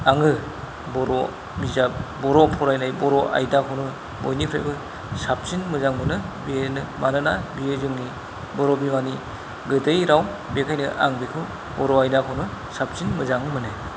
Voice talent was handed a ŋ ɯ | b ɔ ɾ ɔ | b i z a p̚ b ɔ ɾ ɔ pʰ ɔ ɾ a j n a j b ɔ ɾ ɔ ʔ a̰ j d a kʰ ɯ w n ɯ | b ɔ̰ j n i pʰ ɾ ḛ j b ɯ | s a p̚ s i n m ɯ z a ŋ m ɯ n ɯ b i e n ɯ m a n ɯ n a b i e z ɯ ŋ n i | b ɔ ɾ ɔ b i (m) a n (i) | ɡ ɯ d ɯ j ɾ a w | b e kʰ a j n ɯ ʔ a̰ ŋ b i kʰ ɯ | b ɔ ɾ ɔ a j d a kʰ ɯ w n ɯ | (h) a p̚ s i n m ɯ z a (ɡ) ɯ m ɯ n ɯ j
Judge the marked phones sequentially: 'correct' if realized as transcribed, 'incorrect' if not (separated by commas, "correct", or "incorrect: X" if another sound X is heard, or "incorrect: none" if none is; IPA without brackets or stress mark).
correct, correct, incorrect: s, incorrect: ŋ